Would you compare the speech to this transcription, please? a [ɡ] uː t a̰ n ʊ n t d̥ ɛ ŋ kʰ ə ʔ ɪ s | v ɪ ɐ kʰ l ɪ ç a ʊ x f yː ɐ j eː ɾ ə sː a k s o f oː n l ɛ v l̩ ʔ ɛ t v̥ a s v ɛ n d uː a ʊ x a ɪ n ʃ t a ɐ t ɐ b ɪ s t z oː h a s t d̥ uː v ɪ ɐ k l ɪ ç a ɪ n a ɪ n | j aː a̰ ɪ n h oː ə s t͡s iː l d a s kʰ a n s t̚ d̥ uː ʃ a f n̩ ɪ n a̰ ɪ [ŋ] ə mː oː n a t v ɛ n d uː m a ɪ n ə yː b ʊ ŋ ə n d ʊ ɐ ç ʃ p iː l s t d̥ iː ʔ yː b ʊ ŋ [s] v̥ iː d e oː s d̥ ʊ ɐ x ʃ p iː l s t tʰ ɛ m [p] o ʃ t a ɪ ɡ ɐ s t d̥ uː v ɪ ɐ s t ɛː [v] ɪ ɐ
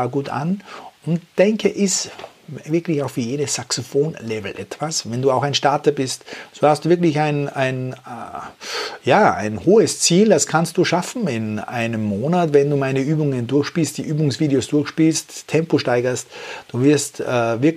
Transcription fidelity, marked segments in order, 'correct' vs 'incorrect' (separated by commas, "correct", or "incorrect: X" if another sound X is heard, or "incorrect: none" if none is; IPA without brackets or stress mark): correct, incorrect: n, correct, correct, correct